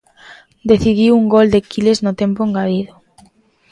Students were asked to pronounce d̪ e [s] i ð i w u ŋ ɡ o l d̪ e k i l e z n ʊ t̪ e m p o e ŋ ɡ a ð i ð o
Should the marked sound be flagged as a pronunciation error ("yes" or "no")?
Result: yes